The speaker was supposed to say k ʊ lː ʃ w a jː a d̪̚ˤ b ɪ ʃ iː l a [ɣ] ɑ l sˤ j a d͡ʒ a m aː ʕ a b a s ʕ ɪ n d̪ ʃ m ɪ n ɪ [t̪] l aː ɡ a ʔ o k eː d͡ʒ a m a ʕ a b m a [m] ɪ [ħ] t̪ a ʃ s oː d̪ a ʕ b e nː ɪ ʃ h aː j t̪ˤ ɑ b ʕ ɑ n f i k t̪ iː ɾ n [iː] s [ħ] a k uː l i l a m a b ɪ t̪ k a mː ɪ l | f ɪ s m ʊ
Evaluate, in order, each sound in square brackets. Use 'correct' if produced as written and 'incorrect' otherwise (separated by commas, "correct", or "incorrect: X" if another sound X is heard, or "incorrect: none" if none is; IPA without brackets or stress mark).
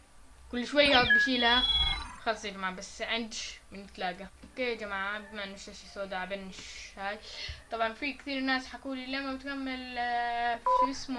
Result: incorrect: x, correct, incorrect: n, incorrect: ʃ, incorrect: aː, correct